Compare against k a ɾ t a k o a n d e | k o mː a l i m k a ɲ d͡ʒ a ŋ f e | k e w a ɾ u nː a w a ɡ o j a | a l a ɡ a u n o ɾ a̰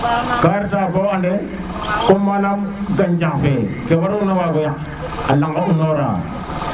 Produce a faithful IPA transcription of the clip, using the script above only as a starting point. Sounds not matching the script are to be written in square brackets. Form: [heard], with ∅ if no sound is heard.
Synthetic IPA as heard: k a ɾ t a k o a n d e | k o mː a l [a] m [ɡ] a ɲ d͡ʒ a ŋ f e | k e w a ɾ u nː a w a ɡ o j a | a l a [ŋ] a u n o ɾ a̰